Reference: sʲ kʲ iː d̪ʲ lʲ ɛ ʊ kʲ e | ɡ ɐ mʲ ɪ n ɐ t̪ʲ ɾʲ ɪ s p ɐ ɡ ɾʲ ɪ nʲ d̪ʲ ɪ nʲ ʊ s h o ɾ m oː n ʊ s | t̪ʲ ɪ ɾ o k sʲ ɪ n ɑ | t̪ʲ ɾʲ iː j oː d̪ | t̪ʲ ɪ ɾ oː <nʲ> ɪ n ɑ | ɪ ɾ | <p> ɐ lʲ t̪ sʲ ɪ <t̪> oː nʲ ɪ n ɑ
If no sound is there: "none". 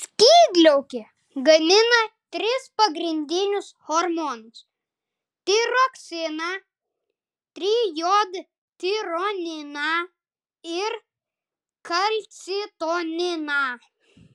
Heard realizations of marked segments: nʲ, k, t̪

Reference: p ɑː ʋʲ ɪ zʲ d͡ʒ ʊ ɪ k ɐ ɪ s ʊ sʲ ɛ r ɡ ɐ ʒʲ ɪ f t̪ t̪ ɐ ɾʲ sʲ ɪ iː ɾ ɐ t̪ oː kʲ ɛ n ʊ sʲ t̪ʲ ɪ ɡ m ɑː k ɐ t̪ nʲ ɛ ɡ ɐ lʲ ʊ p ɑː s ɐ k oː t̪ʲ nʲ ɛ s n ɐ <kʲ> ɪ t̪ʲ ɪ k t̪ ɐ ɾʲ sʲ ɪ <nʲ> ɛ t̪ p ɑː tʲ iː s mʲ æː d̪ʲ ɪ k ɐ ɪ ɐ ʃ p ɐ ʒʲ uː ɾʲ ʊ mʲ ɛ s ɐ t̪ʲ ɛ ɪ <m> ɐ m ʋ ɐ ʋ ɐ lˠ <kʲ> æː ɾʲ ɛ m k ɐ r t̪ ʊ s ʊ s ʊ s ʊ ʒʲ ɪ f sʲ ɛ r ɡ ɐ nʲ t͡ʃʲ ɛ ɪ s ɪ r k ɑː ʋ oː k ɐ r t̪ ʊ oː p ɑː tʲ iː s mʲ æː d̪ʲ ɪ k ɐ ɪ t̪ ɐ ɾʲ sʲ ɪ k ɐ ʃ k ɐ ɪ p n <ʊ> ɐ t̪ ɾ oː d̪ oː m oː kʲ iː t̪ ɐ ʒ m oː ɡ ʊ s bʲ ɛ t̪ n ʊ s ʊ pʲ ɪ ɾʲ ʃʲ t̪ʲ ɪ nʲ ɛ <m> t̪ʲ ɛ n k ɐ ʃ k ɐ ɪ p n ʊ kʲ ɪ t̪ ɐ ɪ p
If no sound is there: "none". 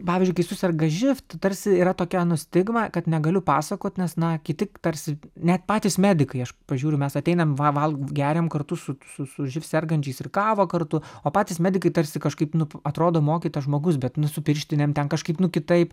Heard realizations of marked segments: kʲ, nʲ, n, ɡʲ, ʊ, m

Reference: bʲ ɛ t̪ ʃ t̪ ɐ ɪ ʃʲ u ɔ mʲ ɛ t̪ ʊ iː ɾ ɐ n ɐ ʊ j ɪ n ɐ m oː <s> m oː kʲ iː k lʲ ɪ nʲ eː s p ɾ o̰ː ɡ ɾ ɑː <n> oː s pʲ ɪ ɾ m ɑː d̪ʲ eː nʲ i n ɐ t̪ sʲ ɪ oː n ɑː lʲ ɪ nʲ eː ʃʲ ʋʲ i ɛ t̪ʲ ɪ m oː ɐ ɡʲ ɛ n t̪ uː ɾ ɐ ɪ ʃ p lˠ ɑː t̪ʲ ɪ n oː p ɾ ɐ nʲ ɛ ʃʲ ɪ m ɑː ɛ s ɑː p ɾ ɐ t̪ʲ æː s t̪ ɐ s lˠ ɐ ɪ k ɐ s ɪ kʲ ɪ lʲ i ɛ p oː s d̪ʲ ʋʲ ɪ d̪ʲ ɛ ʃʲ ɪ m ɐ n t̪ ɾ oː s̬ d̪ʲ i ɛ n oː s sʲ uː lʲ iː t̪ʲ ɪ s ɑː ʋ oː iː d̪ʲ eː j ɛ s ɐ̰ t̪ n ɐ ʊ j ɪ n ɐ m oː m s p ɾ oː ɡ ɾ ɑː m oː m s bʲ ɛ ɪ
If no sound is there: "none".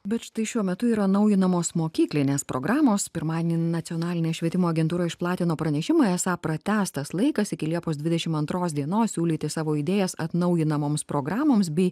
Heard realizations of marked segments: s, m

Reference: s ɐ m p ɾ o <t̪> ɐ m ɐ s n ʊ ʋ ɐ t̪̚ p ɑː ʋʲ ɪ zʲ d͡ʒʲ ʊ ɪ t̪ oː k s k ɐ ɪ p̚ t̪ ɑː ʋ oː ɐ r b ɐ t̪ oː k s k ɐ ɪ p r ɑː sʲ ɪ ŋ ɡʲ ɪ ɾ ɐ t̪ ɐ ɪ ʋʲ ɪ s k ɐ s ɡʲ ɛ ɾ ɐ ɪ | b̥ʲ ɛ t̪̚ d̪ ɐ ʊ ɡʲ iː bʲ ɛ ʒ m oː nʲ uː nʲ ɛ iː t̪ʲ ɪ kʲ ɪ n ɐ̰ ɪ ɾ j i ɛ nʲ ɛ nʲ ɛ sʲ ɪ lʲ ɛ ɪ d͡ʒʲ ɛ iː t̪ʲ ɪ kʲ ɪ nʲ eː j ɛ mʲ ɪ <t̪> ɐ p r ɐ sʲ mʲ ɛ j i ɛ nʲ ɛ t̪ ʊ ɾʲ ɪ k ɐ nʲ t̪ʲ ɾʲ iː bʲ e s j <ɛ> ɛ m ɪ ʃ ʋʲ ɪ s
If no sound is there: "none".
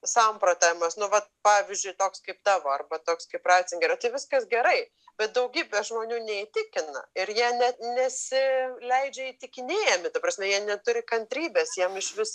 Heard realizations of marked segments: t̪, t̪, i

